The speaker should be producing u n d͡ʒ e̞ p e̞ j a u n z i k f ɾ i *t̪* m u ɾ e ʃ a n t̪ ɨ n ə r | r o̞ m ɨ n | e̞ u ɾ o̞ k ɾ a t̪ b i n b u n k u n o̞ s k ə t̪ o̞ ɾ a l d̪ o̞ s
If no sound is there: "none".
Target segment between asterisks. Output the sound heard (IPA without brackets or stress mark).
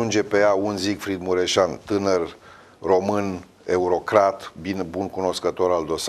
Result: d̪